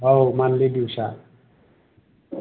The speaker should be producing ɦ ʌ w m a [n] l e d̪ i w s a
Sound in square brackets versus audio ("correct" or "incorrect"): correct